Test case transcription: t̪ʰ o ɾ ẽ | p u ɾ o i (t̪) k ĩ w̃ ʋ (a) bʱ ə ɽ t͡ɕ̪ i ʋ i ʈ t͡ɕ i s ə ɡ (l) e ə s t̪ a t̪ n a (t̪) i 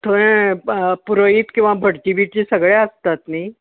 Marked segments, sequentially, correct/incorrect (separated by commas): correct, correct, incorrect, incorrect